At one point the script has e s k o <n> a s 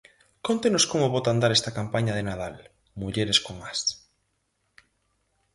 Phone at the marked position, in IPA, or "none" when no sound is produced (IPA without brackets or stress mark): ŋ